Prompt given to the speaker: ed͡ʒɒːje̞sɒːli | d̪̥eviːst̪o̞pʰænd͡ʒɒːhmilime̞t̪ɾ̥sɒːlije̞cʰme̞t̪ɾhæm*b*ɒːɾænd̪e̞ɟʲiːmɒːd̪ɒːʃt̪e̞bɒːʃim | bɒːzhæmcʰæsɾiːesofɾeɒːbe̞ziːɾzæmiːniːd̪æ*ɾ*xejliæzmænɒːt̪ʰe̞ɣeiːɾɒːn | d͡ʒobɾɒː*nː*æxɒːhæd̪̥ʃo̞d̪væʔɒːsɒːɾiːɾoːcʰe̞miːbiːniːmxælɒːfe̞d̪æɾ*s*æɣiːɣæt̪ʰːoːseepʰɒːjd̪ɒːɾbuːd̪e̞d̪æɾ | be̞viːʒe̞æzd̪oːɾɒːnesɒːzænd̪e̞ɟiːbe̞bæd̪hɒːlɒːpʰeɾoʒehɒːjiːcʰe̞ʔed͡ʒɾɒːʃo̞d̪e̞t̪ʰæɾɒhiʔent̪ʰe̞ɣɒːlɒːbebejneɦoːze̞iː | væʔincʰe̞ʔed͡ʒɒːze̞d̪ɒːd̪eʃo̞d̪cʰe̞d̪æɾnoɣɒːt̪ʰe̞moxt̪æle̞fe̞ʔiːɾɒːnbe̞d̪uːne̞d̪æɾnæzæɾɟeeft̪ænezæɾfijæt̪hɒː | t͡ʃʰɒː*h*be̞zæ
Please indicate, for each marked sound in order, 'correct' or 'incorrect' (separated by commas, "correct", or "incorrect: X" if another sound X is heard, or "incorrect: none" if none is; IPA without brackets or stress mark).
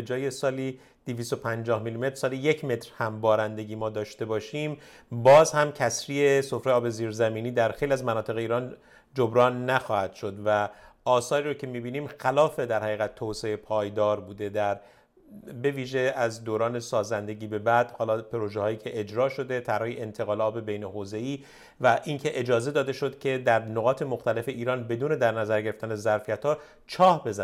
correct, correct, correct, incorrect: h, correct